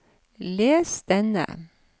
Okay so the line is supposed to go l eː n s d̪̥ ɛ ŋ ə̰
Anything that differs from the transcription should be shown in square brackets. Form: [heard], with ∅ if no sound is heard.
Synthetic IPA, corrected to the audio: l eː [∅] s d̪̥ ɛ [n] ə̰